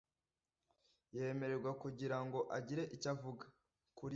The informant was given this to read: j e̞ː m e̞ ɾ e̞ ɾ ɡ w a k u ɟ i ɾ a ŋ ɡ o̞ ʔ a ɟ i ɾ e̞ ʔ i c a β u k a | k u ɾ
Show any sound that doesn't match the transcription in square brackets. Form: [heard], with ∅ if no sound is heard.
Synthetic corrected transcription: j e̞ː m e̞ ɾ e̞ ɾ ɡ w a k u ɟ i ɾ a ŋ ɡ o̞ ʔ a ɟ i ɾ e̞ ʔ i c a [v] u [ɡ] a | k u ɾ